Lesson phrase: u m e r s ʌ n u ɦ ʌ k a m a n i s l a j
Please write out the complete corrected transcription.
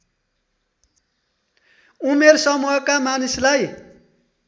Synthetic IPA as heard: u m e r s ʌ m u ɦ ʌ k a m a n i s l a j